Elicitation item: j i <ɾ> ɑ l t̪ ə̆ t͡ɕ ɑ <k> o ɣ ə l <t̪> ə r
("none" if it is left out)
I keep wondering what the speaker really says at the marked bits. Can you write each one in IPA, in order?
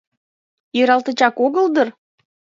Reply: ɾ, k, d̪

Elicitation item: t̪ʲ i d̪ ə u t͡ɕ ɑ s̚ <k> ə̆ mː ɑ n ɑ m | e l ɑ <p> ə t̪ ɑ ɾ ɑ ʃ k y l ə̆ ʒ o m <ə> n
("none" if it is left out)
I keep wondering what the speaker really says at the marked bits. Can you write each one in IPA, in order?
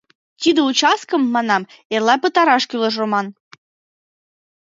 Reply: k, p, ɑ

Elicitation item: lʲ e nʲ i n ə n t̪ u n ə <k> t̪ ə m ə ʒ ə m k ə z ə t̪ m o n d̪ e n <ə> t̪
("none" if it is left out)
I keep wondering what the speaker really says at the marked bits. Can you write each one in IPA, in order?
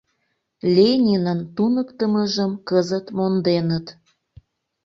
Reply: k, ə

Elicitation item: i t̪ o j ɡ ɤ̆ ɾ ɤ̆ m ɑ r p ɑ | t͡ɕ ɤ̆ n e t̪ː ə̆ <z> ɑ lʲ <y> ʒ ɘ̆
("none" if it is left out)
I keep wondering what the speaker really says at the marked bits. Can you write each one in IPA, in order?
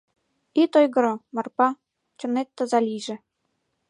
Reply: z, i

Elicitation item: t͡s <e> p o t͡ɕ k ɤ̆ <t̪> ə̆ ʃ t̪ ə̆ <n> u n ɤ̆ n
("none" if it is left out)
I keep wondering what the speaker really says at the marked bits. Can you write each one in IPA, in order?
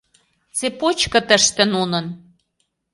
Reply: e, t̪, n

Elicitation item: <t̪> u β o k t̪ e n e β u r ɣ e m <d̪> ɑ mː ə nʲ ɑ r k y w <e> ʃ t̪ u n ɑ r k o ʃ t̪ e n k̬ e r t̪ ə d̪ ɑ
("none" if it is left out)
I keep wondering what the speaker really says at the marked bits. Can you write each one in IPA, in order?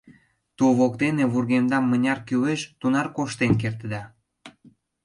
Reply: t̪, d̪, e

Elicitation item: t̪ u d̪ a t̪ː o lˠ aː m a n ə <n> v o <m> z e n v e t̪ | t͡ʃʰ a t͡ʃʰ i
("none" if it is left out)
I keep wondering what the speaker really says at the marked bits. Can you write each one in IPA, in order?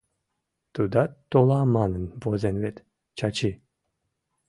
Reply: n, none

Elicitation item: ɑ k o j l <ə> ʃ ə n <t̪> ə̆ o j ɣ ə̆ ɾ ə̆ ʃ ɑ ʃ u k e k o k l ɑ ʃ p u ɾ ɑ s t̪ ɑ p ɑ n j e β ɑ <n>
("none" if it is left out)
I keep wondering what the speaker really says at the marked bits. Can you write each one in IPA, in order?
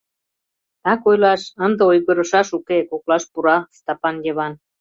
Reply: ɑ, d̪, n

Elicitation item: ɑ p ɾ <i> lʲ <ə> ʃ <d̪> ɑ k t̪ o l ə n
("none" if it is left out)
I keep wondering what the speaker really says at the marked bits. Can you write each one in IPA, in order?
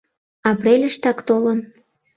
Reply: e, ə, t̪

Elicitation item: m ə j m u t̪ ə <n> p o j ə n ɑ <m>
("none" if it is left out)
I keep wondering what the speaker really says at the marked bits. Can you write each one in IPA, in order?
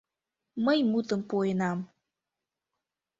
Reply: m, m

